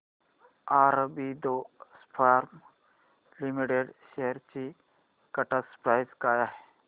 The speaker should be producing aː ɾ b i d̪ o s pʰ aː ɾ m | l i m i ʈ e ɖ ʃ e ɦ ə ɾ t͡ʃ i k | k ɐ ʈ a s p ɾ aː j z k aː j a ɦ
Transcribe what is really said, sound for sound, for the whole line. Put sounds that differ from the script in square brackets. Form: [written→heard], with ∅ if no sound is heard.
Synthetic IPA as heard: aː ɾ b i d̪ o s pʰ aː ɾ m | l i m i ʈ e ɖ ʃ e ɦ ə ɾ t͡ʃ i [k→∅] | k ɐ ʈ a s p ɾ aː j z k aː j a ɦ